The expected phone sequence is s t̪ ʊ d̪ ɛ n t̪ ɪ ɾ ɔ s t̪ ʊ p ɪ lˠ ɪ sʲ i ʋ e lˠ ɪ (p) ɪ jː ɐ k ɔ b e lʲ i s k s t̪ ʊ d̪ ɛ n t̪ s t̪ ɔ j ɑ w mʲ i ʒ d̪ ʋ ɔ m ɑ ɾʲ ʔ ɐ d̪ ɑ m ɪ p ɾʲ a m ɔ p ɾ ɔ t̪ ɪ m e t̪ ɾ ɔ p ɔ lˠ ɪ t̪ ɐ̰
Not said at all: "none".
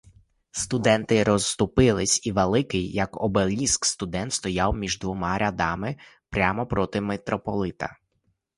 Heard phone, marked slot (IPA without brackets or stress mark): k